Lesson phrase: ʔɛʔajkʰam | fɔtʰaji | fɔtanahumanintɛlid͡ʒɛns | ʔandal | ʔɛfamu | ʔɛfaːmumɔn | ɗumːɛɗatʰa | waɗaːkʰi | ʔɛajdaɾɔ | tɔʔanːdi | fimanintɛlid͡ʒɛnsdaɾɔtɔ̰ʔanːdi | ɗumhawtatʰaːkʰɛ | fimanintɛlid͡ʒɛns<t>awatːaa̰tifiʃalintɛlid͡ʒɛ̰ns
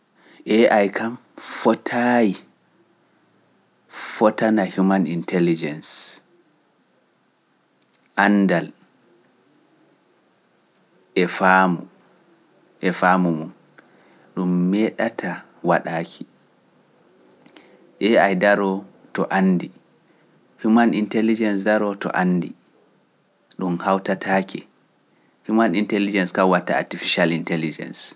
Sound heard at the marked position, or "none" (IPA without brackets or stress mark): k